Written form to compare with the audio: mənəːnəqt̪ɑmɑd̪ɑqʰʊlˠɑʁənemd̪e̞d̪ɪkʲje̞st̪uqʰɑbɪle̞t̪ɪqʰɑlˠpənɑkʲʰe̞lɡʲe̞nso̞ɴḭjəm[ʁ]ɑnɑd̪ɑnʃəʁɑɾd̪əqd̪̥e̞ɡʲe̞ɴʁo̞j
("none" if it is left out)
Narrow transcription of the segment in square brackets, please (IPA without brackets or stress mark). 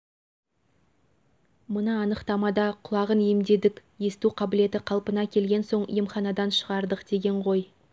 χ